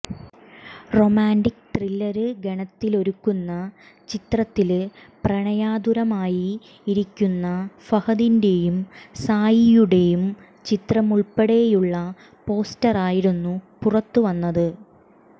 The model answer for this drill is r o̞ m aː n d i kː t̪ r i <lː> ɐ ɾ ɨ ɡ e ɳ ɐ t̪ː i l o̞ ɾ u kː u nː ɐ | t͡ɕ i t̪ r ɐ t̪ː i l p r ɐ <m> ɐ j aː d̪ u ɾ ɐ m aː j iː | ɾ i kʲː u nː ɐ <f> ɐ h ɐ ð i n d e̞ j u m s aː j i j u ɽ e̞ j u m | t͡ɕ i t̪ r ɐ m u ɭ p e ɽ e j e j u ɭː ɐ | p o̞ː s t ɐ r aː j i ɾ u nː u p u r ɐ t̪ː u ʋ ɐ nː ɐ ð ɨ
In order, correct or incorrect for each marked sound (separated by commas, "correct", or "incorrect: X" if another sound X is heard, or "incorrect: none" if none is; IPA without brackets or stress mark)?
correct, incorrect: ɳ, correct